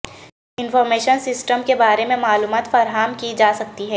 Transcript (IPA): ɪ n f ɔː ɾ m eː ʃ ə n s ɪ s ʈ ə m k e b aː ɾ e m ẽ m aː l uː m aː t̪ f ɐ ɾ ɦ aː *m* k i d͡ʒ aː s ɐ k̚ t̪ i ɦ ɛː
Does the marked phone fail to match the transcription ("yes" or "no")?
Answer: no